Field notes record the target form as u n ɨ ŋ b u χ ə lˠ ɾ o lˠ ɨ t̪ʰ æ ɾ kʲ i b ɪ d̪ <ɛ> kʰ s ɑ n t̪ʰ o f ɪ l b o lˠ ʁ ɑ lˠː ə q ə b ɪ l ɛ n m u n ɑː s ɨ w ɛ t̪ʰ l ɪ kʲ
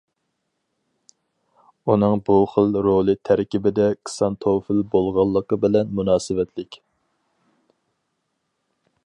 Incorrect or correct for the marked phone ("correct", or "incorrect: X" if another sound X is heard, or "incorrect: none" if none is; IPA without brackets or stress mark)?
correct